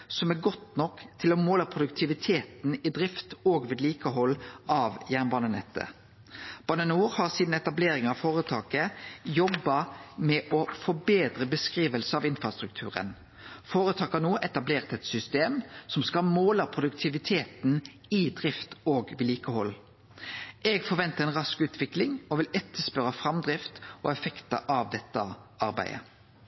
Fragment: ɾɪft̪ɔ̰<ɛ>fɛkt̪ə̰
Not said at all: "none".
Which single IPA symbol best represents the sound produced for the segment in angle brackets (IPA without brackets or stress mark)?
ɛ